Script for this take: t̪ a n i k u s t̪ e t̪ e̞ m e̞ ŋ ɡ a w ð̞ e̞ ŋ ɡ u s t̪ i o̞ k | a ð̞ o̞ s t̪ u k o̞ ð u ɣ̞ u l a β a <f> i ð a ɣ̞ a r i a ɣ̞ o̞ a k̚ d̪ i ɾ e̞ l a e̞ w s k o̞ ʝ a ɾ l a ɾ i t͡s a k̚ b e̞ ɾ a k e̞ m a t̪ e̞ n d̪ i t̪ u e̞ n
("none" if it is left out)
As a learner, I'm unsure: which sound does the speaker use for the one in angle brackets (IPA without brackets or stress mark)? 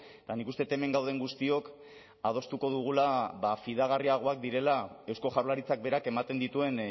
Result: f